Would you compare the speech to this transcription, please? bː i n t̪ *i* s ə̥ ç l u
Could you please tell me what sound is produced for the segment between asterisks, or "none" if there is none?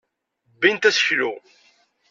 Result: æ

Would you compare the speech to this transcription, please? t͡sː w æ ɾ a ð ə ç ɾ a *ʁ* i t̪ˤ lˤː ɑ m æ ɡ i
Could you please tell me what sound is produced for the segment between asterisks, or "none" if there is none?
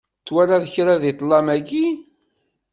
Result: ð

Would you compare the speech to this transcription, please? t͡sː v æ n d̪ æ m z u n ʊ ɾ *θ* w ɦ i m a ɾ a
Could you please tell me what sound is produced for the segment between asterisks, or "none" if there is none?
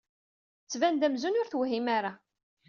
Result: θ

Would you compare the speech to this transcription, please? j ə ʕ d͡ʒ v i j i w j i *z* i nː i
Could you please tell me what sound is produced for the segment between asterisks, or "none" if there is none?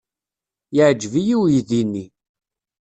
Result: ð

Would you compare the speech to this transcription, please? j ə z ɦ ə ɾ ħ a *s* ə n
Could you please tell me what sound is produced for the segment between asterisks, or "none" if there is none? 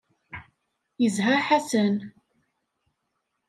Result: s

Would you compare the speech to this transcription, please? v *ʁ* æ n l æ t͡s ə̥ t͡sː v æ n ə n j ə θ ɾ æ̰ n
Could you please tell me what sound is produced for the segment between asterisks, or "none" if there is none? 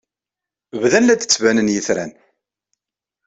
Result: ð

